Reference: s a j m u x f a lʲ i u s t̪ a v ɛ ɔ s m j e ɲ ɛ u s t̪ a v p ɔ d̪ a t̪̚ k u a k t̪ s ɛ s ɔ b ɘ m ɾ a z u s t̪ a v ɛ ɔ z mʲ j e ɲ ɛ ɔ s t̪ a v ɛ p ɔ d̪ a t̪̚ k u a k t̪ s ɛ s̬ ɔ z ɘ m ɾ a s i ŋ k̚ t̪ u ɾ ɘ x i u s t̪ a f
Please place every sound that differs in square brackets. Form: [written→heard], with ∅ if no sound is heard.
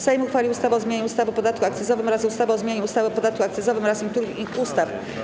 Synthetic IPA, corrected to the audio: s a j m u x f a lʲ i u s t̪ a v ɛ ɔ [s→z] m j e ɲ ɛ u s t̪ a v p ɔ d̪ a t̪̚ k u a k t̪ s ɛ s ɔ [b→v] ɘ m ɾ a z u s t̪ a v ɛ ɔ z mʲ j e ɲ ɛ [ɔ→u] s t̪ a v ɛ p ɔ d̪ a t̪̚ k u a k t̪ s ɛ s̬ ɔ [z→v] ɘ m ɾ a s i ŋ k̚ t̪ u ɾ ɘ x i u s t̪ a f